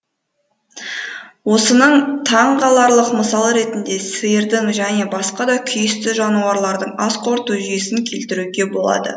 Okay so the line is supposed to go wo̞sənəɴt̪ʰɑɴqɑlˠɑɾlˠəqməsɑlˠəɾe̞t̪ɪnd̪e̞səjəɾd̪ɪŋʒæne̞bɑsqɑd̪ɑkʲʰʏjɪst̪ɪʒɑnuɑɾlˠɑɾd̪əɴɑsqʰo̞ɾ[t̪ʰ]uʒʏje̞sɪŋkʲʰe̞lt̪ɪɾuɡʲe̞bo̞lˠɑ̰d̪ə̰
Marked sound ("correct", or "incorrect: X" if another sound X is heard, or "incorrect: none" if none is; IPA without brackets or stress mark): incorrect: t̪